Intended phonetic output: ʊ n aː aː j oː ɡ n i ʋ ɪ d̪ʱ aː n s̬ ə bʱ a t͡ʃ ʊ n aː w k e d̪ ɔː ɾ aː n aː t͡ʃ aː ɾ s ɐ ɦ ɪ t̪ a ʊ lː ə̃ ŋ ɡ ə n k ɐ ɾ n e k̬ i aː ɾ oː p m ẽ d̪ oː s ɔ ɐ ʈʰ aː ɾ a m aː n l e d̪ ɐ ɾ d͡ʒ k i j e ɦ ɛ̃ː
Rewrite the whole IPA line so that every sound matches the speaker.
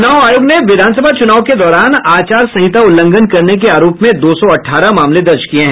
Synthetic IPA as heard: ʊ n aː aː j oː ɡ n e ʋ ɪ d̪ʱ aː n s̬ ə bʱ a t͡ʃ ʊ n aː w k e d̪ ɔː ɾ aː n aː t͡ʃ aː ɾ s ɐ ɦ ɪ t̪ a ʊ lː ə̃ ŋ ɡ ə n k ɐ ɾ n e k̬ e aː ɾ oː p m ẽ d̪ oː s ɔ ɐ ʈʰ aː ɾ a m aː m l e d̪ ɐ ɾ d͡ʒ k i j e ɦ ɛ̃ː

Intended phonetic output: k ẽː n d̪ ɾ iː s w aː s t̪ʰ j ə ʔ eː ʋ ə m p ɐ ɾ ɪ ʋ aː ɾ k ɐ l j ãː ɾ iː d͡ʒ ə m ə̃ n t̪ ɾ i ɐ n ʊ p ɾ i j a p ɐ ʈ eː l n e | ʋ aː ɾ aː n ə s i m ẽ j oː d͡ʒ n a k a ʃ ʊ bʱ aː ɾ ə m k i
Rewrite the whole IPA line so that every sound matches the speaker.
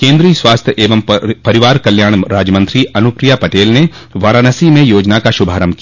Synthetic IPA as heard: k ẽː n d̪ ɾ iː s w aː s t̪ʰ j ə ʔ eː ʋ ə m p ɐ ɾ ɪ ʋ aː ɾ k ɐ l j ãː ɾ aː d͡ʒ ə m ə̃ n t̪ ɾ i ɐ n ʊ p ɾ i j a p ɐ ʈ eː l n e | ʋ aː ɾ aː n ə s i m ẽ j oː d͡ʒ n a k a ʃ ʊ bʱ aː ɾ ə m k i

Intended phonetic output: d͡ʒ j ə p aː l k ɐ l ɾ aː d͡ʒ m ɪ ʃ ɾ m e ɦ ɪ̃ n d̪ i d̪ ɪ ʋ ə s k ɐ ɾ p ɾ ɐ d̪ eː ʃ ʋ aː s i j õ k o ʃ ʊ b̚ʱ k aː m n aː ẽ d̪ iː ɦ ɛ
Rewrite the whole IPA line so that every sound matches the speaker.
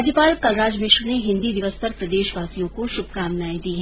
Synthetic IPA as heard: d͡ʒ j ə p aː l k ɐ l ɾ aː d͡ʒ m ɪ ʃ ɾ n e ɦ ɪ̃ n d̪ i d̪ ɪ ʋ ə s p ɐ ɾ p ɾ ɐ d̪ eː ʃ ʋ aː s i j õ k o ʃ ʊ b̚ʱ k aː m n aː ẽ d̪ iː ɦ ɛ

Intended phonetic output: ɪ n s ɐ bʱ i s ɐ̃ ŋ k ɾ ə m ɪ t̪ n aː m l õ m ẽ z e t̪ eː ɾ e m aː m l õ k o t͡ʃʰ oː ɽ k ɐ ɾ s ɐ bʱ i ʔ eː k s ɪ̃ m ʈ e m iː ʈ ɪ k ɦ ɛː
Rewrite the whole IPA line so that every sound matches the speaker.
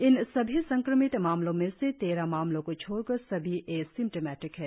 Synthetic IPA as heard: ɪ n s ɐ bʱ i s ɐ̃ ŋ k ɾ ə m ɪ t̪ m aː m l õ m ẽ s e t̪ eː ɾ a m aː m l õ k o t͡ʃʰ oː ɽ k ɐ ɾ s ɐ bʱ i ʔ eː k s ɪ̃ m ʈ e m ɛː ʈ ɪ k ɦ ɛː

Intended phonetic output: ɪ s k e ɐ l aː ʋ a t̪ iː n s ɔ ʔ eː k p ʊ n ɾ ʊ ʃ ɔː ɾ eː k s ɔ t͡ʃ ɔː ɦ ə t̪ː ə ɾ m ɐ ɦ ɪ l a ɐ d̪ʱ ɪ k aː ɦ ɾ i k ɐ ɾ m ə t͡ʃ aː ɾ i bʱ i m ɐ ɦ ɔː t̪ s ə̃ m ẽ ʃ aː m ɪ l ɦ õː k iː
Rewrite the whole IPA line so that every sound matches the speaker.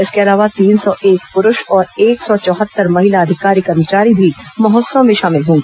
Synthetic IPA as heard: ɪ s k e ɐ l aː ʋ a t̪ iː n s ɔ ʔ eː k p ʊ ɾ ʊ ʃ ɔː ɾ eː k s ɔ t͡ʃ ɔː ɦ ə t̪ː ə ɾ m ɐ ɦ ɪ l a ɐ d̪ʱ ɪ k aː ɾ i k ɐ ɾ m ə t͡ʃ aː ɾ i bʱ i m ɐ ɦ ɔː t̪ s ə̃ m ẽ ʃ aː m ɪ l ɦ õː ɡ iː

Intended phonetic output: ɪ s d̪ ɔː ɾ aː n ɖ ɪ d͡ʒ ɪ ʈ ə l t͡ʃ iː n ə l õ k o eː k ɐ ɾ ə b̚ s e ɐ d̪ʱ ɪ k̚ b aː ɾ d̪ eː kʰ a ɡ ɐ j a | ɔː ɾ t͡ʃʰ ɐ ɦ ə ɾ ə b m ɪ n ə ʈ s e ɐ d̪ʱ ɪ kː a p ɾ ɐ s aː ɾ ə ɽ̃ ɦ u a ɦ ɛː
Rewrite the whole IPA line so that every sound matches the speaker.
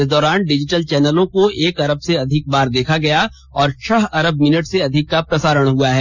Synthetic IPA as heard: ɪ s d̪ ɔː ɾ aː n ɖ ɪ d͡ʒ ɪ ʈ ə l t͡ʃ ɛː n ə l õ k o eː k ɐ ɾ ə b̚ s e ɐ d̪ʱ ɪ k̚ b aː ɾ d̪ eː kʰ a ɡ ɐ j a | ɔː ɾ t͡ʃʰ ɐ ɦ ɐ ɾ ə b m ɪ n ə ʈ s e ɐ d̪ʱ ɪ kː a p ɾ ɐ s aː ɾ ə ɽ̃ ɦ u a ɦ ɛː

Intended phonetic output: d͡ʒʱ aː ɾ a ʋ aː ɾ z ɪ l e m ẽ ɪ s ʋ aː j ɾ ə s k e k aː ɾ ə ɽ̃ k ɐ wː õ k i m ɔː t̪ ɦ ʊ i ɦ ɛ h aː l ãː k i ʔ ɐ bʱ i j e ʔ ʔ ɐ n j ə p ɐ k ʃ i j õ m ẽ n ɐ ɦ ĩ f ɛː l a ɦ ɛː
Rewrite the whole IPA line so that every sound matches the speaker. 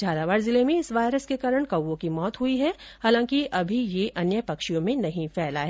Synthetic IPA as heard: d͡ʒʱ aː ɾ a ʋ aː ɾ z ɪ l e m ẽ ɪ s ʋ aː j ɾ ə s k e k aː ɾ ə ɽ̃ k ɐ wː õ k i m ɔː t̪ ɦ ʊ i ɦ ɛ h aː l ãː k i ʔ ɐ bʱ i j e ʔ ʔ ɐ n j ə p ɐ k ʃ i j õ m ẽ n ɐ ɦ ĩ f ɛː l a ɦ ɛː

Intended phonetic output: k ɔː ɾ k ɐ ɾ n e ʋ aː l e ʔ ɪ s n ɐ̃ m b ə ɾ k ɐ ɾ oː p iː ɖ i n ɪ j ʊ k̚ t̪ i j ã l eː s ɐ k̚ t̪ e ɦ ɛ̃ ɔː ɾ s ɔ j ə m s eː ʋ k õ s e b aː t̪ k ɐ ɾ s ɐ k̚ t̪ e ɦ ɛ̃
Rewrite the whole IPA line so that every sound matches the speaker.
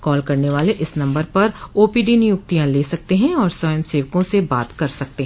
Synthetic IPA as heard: k ɔː l k ɐ ɾ n e ʋ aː l e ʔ ɪ s n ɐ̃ m b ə ɾ p ɐ ɾ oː p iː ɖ i n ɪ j ʊ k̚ t̪ i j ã l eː s ɐ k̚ t̪ e ɦ ɛ̃ ɔː ɾ s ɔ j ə m s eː ʋ k õ s e b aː t̪ k ɐ ɾ s ɐ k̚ t̪ e ɦ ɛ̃

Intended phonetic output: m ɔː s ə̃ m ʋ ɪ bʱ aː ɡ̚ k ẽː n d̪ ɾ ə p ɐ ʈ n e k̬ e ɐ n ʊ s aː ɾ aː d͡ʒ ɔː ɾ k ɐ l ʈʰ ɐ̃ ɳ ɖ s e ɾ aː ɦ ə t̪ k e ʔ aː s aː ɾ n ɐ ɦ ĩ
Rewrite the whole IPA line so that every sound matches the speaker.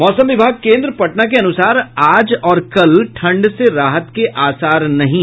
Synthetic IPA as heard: m ɔː s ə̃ m ʋ ɪ bʱ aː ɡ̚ k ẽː n d̪ ɾ ə p ɐ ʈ n a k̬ e ɐ n ʊ s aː ɾ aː d͡ʒ ɔː ɾ k ɐ l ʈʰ ɐ̃ ɳ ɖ s e ɾ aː ɦ ə t̪ k e ʔ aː s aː ɾ n ɐ ɦ ĩ

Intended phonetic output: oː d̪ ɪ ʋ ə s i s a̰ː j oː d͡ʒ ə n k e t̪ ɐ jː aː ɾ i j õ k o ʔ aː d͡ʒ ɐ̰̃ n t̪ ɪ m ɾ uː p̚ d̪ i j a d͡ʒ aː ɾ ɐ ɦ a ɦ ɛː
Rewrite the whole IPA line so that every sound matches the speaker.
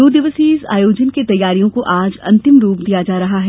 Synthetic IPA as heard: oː d̪ ɪ ʋ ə s i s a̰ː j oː d͡ʒ ə n k e t̪ ɐ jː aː ɾ i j õ k o ʔ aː d͡ʒ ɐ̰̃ n t̪ ɪ m ɾ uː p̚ d̪ i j a d͡ʒ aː ɾ ɐ ɦ a ɦ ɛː

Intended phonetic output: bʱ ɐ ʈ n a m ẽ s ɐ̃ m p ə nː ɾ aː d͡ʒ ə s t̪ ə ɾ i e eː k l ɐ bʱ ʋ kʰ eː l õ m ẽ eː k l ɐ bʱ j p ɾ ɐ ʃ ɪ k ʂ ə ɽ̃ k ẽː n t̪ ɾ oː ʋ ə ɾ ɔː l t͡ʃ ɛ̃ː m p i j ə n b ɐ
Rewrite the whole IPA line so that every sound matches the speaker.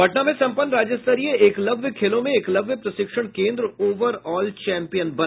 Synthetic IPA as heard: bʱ ɐ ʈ n a m ẽ s ɐ̃ m p ə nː ɾ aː d͡ʒ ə s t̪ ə ɾ i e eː k l ɐ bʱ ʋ kʰ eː l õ m ẽ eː k l ɐ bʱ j p ɾ ɐ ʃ ɪ k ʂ ə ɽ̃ k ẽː n d̪ ɾ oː ʋ ə ɾ ɔː l t͡ʃ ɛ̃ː m p i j ə n b ɐ

